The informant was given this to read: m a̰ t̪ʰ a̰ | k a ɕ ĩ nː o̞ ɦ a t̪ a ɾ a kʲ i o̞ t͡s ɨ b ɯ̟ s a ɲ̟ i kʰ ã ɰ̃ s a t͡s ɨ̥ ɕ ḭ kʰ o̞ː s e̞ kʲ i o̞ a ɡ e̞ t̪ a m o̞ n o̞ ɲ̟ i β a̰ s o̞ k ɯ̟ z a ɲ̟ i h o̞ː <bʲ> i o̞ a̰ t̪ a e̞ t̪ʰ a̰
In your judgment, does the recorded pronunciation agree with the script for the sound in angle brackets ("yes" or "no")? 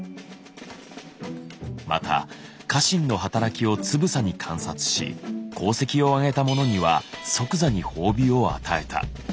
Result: yes